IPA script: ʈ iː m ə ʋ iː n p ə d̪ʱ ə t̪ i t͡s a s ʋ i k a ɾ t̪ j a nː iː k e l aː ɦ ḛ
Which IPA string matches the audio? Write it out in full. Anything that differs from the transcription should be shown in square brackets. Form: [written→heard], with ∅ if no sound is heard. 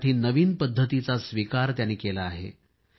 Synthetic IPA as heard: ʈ iː [m→n] ə ʋ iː n p ə [d̪ʱ→d̪ʱː] ə t̪ i t͡s a s ʋ i k a ɾ t̪ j a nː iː k e l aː ɦ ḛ

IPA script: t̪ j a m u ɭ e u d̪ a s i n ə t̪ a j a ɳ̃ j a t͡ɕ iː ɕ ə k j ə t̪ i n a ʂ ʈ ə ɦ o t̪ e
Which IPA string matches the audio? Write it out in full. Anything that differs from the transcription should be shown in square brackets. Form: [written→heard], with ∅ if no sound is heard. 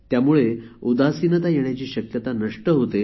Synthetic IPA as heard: t̪ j a m u ɭ e u d̪ a s i n ə t̪ a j [a→e] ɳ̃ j a t͡ɕ iː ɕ ə k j ə t̪ [i→a] n [a→ə] ʂ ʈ ə ɦ o t̪ e

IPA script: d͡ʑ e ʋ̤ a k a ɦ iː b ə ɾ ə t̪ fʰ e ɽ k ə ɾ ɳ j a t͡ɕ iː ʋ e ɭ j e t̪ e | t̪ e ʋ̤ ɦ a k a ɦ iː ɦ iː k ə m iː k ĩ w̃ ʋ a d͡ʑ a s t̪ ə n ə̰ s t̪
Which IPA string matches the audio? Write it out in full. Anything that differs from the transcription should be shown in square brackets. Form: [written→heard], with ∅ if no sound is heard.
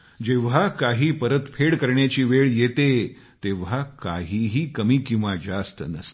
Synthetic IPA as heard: d͡ʑ e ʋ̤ a k a ɦ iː [b→p] ə ɾ ə t̪ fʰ e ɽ k ə ɾ ɳ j a t͡ɕ iː ʋ e ɭ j e t̪ e | t̪ e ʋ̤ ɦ a k a ɦ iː ɦ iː k ə m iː k ĩ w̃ ʋ a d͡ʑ a s t̪ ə n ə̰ s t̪

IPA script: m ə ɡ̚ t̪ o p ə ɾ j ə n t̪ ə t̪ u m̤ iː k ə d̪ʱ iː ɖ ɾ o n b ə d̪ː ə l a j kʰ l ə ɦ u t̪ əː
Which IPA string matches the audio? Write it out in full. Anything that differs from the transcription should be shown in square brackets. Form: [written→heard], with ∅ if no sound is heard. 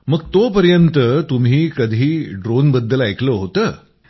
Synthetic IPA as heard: m ə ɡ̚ t̪ o p ə ɾ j ə n t̪ ə t̪ u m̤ iː k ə d̪ʱ iː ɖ ɾ o n b ə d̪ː ə l a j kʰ l ə ɦ [u→o] t̪ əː

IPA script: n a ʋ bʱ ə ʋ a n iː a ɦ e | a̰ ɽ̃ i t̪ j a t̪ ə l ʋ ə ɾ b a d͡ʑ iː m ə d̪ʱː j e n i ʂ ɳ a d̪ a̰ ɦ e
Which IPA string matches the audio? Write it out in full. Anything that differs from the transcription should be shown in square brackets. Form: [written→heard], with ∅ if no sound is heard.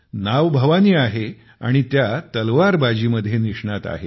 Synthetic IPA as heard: n a ʋ bʱ ə ʋ a n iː a ɦ e | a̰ ɽ̃ i t̪ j a t̪ ə l ʋ [ə→a] ɾ b a d͡ʑ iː m ə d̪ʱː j e n i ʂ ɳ a [d̪→t̪] a̰ ɦ e

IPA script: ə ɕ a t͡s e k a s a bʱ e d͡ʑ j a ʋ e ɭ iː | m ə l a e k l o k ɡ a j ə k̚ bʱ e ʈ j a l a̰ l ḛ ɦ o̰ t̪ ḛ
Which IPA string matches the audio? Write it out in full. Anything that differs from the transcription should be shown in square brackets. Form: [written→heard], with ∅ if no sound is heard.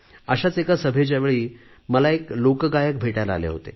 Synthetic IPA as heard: ə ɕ a t͡s e k a s [a→ə] bʱ e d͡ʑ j a ʋ e ɭ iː | m ə l a e k l o k ɡ a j ə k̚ bʱ e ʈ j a l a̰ l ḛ ɦ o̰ t̪ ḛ

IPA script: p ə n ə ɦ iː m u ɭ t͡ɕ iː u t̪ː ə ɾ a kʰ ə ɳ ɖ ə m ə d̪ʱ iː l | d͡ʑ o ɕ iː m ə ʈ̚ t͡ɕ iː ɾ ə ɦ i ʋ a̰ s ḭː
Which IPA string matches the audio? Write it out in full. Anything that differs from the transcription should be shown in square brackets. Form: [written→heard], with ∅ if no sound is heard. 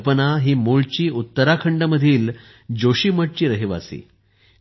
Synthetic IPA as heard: p ə n [ə→a] ɦ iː m u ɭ t͡ɕ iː u t̪ː ə ɾ a kʰ ə ɳ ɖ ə m ə d̪ʱ iː l | d͡ʑ o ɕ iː m ə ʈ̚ t͡ɕ iː ɾ ə ɦ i ʋ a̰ s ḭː

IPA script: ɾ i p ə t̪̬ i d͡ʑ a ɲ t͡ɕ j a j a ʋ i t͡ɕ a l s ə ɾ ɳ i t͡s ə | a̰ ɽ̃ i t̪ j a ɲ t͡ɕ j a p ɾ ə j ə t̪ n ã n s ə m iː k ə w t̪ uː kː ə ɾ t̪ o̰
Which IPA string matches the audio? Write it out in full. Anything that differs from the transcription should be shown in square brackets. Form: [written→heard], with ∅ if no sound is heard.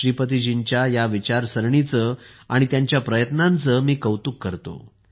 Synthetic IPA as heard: ɾ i p ə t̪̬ i d͡ʑ [a→i] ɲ t͡ɕ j a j a ʋ i t͡ɕ a [l→ɾ] s ə ɾ ɳ i t͡s ə | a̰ ɽ̃ i t̪ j a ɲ t͡ɕ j a p ɾ ə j ə t̪ n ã n [s→t͡s] ə m iː k ə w t̪ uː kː ə ɾ t̪ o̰

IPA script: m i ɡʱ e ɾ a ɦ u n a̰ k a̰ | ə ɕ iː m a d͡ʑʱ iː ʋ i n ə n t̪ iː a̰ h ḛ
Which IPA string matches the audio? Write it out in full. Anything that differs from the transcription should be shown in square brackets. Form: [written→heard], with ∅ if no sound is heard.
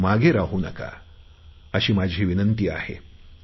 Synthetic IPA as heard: m [i→a] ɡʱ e ɾ a ɦ u n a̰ k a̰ | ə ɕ iː m a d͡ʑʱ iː ʋ i n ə n t̪ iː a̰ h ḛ

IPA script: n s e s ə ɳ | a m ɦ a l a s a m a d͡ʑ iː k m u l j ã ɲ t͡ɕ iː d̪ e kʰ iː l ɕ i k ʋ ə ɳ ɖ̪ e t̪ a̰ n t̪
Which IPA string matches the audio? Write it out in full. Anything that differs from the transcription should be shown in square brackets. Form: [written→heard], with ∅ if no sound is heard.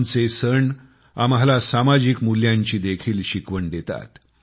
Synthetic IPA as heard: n [s→t͡s] e s ə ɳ | a m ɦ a l a s a m a d͡ʑ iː k m u l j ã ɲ t͡ɕ iː d̪ e kʰ iː l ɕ i k ʋ ə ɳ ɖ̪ e t̪ a̰ [n→∅] t̪

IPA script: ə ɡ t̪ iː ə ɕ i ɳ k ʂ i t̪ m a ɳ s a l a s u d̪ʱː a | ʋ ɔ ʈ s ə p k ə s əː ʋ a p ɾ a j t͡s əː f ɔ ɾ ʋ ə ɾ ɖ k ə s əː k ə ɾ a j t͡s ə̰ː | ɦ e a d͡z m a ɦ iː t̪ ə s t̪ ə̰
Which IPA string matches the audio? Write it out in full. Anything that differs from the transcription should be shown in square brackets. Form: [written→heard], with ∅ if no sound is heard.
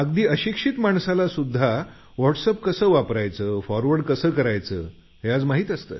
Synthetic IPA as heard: ə ɡ [t̪→d̪] iː ə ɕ i [ɳ→∅] k ʂ i t̪ m a ɳ s a l a s u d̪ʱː a | ʋ ɔ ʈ s ə p k ə s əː ʋ a p ɾ a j t͡s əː f ɔ ɾ ʋ ə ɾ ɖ k ə s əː k ə ɾ a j t͡s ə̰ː | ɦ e a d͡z m a ɦ iː t̪ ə s t̪ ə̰

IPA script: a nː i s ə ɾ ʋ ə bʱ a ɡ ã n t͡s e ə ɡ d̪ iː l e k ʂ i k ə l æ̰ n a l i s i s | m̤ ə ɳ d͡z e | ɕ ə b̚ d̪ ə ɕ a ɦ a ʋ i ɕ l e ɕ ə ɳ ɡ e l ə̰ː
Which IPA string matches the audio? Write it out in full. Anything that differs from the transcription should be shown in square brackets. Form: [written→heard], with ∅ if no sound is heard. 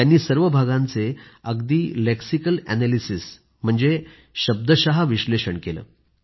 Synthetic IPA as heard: a nː [i→iː] s ə ɾ ʋ ə bʱ a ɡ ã n t͡s e ə ɡ d̪ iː l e k [ʂ→s] i k ə l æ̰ n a l i s i s | m̤ ə ɳ d͡z e | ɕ ə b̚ d̪ ə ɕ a ɦ a ʋ i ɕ l e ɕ ə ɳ [ɡ→k] e l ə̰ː

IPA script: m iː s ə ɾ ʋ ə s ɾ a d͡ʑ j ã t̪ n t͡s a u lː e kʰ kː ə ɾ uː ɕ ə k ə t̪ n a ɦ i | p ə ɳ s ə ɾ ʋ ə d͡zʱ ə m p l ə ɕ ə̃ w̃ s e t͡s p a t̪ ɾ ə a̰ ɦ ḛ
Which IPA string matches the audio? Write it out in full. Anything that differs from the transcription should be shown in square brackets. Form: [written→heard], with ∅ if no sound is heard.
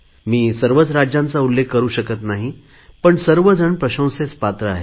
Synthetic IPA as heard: m iː s ə ɾ ʋ ə [s→t͡s] ɾ a d͡ʑ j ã [t̪→∅] n t͡s a u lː e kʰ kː ə ɾ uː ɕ ə k ə t̪ n a ɦ i | p ə ɳ s ə ɾ ʋ ə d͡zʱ ə [m→ɳ] p [l→ɾ] ə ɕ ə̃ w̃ s e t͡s p a t̪ ɾ ə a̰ ɦ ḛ

